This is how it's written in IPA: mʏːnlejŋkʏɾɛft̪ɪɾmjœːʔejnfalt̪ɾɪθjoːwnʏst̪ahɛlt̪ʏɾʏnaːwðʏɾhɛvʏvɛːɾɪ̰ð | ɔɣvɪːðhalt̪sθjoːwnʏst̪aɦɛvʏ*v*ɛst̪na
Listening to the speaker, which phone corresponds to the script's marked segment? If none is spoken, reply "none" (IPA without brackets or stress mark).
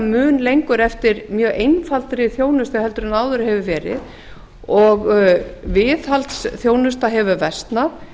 v